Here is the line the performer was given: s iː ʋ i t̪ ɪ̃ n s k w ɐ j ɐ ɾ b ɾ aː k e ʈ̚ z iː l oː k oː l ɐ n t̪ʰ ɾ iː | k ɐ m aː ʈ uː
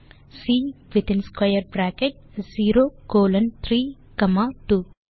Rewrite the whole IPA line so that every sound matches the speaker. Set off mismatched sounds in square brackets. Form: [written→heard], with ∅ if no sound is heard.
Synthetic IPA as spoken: s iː ʋ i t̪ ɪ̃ n s k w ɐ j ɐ ɾ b ɾ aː k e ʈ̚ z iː [l→ɾ] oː k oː l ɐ n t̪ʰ ɾ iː | k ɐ m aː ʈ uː

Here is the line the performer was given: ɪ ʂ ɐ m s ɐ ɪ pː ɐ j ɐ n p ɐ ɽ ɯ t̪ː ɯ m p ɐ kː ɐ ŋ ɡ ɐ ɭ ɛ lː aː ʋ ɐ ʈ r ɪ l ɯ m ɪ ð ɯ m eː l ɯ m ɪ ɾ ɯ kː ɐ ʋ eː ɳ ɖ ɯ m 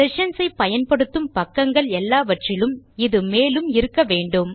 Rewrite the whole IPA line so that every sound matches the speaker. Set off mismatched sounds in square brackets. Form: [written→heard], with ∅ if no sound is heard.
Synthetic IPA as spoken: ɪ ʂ ɐ [m→n] s ɐ ɪ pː ɐ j ɐ n p ɐ ɽ ɯ t̪ː ɯ m p ɐ kː ɐ ŋ ɡ ɐ ɭ ɛ lː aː ʋ ɐ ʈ r ɪ l ɯ m ɪ ð ɯ m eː l ɯ m ɪ ɾ ɯ kː ɐ ʋ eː ɳ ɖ ɯ m

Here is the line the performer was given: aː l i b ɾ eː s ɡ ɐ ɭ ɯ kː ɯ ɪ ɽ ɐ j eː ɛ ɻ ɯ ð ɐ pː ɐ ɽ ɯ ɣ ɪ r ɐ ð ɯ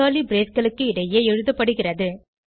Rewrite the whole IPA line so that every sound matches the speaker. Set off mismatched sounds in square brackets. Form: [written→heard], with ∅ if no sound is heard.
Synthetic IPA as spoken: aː l i b ɾ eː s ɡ ɐ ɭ ɯ kː ɯ ɪ ɽ ɐ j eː ɛ ɻ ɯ ð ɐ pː ɐ ɽ ɯ ɣ ɪ r ɐ ð ɯ

